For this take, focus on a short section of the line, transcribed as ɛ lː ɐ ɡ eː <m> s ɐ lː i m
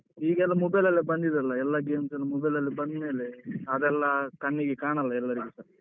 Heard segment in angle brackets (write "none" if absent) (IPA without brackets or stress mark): m